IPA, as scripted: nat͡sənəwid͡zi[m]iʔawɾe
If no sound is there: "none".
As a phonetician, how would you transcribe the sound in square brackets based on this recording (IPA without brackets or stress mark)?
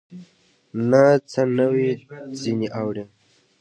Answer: n